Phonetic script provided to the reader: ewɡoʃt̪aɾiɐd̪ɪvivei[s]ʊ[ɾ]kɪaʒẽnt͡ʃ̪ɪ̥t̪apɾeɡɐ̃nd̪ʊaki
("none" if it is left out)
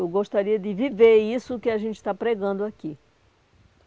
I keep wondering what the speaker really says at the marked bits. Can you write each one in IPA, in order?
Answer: s, none

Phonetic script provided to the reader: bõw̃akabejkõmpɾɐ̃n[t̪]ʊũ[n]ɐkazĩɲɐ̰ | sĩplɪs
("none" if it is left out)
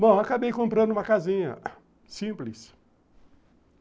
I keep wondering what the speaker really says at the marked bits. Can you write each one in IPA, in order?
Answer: d̪, m

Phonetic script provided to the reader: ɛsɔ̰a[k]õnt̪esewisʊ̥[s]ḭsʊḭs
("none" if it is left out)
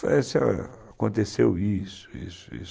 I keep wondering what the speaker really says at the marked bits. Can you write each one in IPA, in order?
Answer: k, none

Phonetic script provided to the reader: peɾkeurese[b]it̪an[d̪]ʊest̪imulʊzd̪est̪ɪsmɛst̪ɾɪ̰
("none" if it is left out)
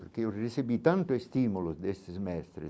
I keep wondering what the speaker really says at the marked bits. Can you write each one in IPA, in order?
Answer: b, t̪

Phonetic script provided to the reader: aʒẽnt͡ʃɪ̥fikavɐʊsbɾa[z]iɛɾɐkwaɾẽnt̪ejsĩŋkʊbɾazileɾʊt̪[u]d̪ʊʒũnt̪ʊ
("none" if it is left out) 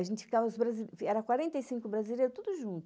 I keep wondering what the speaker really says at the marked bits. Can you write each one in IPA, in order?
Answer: z, u

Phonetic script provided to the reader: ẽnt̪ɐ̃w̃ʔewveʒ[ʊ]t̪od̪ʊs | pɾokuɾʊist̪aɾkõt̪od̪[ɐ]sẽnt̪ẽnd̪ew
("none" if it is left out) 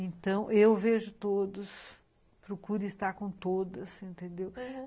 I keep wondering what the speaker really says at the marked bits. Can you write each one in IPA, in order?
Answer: ʊ, ɐ

